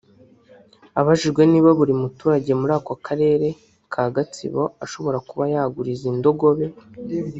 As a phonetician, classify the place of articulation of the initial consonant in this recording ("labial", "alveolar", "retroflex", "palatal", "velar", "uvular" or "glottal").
labial